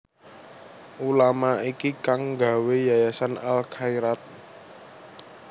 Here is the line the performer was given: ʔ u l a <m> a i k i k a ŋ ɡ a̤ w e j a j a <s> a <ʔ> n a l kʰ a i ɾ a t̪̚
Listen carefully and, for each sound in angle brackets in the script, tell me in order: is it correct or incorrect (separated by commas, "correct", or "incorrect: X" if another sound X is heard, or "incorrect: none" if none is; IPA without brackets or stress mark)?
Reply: correct, correct, incorrect: none